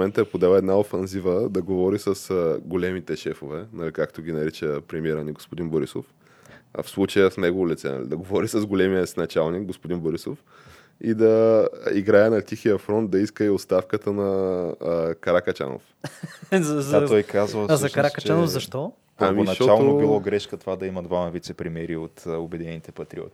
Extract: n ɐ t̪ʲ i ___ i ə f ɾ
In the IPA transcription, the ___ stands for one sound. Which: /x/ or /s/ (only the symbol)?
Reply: x